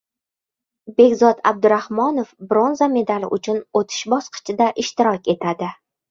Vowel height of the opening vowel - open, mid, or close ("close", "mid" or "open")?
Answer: mid